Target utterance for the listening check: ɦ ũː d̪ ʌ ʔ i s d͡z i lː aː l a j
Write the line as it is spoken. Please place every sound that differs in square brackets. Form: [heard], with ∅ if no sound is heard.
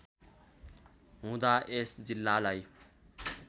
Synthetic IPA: ɦ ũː d̪ [a] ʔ [e] s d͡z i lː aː l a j